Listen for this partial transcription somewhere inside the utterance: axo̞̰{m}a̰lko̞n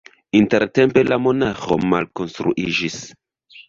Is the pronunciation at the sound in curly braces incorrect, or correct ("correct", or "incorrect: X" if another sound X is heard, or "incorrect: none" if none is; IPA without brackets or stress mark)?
correct